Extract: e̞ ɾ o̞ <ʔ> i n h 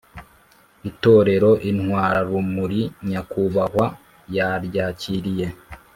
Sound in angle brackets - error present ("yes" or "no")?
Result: no